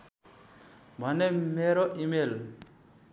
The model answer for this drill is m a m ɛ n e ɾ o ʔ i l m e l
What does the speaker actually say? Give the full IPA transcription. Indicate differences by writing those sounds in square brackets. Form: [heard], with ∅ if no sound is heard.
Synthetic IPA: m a [n] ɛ [m] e ɾ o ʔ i [∅] m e l